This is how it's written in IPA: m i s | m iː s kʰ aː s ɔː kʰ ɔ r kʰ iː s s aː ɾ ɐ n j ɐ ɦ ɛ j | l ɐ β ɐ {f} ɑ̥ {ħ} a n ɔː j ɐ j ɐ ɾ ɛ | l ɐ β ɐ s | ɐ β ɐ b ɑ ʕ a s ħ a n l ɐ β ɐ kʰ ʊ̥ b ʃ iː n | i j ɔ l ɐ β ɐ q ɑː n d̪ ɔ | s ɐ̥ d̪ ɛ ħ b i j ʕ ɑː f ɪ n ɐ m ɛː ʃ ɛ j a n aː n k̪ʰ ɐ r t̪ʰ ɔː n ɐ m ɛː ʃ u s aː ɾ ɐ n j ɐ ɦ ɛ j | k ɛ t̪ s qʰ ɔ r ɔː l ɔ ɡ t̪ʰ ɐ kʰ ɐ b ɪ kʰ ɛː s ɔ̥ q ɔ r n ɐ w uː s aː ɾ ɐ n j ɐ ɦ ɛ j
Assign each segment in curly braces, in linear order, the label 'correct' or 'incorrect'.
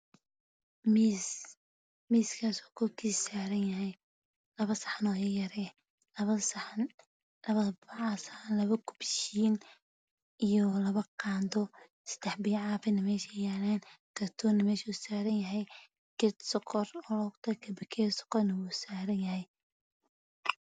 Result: incorrect: s, correct

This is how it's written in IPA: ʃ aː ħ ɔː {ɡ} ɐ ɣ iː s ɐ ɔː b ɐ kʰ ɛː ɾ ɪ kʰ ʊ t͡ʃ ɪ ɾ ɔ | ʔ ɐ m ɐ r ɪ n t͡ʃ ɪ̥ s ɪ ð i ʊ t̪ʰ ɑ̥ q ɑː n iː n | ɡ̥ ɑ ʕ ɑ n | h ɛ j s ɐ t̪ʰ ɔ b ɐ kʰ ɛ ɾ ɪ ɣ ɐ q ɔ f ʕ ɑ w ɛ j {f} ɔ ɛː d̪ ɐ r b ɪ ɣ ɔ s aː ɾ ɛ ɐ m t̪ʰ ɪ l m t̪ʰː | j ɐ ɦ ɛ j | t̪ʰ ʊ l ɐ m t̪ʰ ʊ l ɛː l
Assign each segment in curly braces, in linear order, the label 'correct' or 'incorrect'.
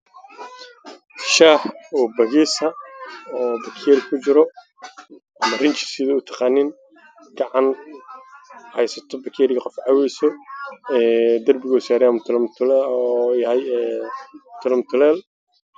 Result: incorrect: b, incorrect: s

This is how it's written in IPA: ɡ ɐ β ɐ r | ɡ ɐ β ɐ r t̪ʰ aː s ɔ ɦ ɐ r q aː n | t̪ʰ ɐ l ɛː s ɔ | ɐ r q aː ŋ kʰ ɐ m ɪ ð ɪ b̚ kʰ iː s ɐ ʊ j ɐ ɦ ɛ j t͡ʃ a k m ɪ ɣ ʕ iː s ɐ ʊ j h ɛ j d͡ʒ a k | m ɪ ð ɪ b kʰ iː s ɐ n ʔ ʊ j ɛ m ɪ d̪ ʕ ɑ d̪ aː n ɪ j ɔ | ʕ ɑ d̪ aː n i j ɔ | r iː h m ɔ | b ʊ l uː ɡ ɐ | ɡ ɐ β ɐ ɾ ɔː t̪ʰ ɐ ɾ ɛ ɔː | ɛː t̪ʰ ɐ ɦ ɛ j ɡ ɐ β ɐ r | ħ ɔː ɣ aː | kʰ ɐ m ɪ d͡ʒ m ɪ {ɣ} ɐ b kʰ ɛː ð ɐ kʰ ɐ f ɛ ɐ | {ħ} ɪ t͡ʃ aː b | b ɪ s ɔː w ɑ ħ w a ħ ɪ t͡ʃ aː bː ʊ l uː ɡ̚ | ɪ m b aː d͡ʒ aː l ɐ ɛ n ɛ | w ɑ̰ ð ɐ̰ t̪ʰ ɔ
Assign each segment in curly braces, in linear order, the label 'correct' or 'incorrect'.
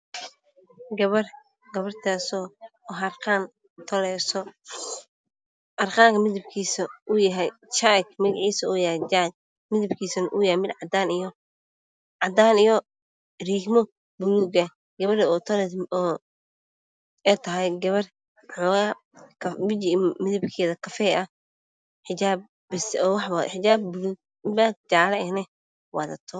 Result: incorrect: ð, correct

